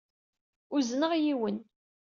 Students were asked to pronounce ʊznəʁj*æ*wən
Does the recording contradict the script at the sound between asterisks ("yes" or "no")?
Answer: yes